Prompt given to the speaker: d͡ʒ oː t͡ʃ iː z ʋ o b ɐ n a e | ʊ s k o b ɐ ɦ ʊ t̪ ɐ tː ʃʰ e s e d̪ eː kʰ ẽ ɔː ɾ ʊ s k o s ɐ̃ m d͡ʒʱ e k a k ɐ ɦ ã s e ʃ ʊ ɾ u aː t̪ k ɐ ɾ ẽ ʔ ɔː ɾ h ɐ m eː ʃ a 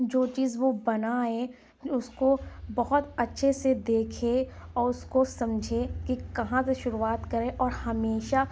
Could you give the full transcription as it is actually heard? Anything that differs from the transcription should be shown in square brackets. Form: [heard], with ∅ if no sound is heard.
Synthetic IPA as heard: d͡ʒ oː t͡ʃ iː z ʋ o b ɐ n a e | ʊ s k o b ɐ ɦ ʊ t̪ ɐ tː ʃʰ e s e d̪ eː kʰ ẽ ɔː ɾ ʊ s k o s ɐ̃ m d͡ʒʱ e k [i] k ɐ ɦ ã s e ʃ ʊ ɾ u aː t̪ k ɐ ɾ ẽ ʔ ɔː ɾ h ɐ m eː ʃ a

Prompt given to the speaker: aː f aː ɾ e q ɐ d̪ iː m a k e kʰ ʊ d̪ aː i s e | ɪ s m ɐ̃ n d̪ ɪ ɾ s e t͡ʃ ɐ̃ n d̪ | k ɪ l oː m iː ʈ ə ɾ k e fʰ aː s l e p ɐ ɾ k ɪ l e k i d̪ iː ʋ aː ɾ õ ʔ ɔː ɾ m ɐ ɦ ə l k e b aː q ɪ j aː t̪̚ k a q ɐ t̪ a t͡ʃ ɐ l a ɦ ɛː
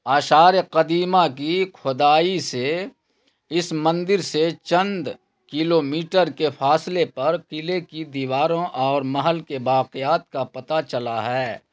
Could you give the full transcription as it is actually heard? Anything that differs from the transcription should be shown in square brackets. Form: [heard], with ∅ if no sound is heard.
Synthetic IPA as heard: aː [ʃ] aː ɾ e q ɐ d̪ iː m a k [i] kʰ ʊ d̪ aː i s e | ɪ s m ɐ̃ n d̪ ɪ ɾ s e t͡ʃ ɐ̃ n d̪ | k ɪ l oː m iː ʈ ə ɾ k e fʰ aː s l e p ɐ ɾ k ɪ l e k i d̪ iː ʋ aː ɾ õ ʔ ɔː ɾ m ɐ ɦ ə l k e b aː q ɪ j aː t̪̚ k a [p] ɐ t̪ a t͡ʃ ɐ l a ɦ ɛː

